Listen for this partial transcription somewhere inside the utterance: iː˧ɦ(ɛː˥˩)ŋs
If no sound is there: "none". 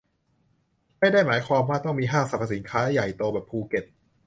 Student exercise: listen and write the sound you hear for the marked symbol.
aː˥˩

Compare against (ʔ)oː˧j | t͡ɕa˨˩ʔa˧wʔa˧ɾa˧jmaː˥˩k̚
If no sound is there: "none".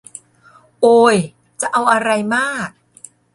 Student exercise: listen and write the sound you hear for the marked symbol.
ʔ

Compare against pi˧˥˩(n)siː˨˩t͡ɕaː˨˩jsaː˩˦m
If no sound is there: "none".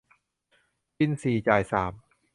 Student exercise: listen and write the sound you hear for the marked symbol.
n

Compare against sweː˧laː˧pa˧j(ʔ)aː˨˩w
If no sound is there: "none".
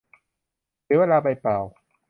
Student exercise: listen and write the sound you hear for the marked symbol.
p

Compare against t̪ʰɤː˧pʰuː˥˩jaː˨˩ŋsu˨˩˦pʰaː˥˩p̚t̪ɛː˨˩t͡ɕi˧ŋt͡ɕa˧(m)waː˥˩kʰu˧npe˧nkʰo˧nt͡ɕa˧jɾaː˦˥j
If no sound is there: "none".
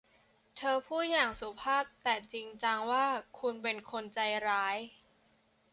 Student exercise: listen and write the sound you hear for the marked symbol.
ŋ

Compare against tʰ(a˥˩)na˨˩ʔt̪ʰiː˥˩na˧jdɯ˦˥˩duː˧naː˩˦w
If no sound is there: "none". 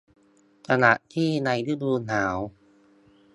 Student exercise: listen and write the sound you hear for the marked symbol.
a˧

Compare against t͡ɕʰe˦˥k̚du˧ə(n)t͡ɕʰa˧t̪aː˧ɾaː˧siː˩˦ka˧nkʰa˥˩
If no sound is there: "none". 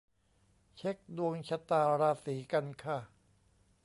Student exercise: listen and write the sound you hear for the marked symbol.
ŋ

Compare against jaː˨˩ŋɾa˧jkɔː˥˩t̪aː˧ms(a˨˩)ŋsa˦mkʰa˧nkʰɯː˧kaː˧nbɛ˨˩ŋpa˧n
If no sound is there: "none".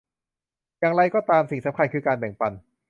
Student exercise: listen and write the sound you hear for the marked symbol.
i˨˩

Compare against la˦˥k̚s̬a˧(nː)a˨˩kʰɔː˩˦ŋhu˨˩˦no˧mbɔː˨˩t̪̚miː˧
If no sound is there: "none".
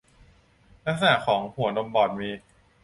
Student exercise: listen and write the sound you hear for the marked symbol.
n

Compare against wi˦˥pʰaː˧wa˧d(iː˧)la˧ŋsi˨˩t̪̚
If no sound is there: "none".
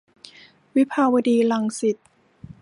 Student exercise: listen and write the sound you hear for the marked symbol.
iː˧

